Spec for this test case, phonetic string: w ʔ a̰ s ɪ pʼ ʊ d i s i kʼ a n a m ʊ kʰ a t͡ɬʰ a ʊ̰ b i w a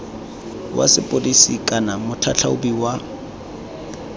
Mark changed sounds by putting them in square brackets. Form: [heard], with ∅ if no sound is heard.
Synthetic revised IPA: w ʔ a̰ s ɪ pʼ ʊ d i s i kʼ a n a m ʊ [tʰ] a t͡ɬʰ a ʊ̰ b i w a